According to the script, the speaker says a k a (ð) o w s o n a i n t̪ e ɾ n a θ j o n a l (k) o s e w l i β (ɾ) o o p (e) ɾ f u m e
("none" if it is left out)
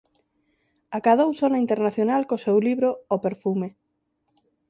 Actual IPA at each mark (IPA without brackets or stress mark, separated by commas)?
ð, k, ɾ, e